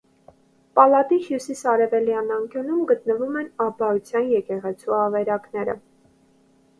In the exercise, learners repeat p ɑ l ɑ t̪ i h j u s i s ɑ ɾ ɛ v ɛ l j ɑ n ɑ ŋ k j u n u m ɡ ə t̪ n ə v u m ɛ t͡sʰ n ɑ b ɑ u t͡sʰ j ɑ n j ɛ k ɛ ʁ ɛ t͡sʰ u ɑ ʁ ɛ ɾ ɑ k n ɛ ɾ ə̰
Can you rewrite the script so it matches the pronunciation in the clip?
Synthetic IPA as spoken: p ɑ l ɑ t̪ i h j u s i s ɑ ɾ ɛ v ɛ l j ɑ n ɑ ŋ k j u n u m ɡ ə t̪ n ə v u m ɛ n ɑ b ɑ u t͡sʰ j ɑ n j ɛ k ɛ ʁ ɛ t͡sʰ u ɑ v ɛ ɾ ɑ k n ɛ ɾ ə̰